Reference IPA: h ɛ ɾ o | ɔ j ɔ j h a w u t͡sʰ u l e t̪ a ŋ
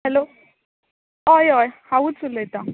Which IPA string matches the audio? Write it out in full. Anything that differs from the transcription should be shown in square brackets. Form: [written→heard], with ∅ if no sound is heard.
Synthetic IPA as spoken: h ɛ [ɾ→l] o | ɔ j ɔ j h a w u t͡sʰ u l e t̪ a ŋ